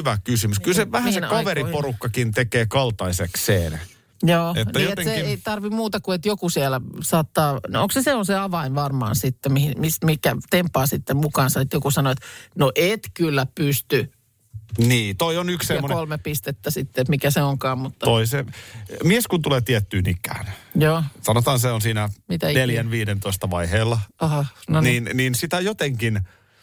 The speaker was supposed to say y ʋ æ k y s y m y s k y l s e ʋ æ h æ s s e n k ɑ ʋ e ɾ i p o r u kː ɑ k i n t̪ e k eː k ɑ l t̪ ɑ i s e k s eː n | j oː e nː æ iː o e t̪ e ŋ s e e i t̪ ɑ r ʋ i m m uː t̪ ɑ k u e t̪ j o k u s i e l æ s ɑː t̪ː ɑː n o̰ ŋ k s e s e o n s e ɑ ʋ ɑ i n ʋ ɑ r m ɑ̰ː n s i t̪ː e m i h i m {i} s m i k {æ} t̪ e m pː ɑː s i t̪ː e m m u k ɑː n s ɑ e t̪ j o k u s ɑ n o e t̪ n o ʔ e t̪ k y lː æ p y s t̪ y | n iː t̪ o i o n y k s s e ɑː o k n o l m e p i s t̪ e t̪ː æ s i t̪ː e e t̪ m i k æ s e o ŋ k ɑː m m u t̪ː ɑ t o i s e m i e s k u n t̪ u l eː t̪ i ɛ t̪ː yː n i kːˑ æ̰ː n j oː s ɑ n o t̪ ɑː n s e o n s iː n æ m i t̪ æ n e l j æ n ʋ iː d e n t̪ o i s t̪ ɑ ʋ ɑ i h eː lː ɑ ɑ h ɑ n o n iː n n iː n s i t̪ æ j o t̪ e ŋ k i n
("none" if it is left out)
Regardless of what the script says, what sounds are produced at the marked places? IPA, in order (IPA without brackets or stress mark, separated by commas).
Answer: i, æ